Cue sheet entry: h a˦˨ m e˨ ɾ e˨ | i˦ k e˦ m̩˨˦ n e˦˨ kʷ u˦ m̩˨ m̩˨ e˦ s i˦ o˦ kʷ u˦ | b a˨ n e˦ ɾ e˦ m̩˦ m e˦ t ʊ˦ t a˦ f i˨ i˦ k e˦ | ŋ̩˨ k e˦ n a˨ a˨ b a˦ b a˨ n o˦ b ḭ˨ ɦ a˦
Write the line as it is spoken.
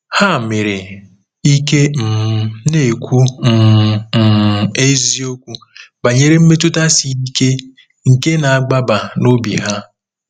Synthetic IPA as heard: h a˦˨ m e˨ ɾ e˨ | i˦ k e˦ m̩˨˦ n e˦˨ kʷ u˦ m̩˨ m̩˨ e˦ z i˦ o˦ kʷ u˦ | b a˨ ɲ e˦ ɾ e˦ m̩˦ m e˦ t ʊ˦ t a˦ s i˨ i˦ k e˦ | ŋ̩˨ k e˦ n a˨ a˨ ɡ͡b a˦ b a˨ n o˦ b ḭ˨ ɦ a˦